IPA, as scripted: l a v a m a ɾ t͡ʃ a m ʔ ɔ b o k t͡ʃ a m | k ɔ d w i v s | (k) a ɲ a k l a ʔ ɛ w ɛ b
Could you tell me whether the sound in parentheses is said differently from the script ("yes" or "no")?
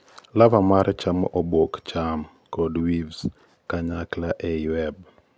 no